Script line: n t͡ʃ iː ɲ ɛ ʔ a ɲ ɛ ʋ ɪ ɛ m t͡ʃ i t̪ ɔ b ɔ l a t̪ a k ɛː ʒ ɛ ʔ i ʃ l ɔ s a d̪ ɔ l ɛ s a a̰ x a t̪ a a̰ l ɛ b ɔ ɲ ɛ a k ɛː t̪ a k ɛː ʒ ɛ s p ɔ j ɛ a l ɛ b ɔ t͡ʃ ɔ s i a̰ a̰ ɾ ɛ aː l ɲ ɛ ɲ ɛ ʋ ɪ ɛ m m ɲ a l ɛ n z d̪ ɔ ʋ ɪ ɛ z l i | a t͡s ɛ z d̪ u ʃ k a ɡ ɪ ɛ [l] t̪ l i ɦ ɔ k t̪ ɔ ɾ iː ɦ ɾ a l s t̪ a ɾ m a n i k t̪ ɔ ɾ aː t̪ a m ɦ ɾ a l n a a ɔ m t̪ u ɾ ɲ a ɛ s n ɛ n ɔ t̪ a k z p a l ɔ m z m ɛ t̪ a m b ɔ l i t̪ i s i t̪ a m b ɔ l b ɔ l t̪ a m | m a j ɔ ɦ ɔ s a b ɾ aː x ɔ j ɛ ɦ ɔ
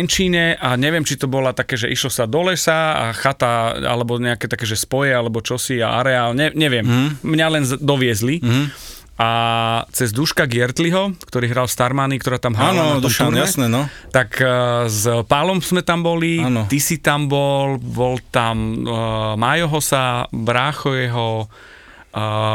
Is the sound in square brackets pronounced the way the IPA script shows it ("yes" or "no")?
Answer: no